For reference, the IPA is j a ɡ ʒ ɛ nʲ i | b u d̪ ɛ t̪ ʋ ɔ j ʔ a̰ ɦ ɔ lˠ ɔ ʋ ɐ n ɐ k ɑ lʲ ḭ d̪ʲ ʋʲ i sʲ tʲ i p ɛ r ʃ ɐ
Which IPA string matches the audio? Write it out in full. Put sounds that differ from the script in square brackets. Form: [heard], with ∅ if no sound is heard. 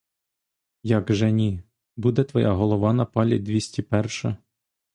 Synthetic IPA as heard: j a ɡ ʒ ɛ nʲ i | b u d̪ ɛ t̪ ʋ ɔ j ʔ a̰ ɦ ɔ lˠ ɔ ʋ [ɑ] n ɐ [p] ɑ lʲ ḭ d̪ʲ ʋʲ i sʲ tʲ i p ɛ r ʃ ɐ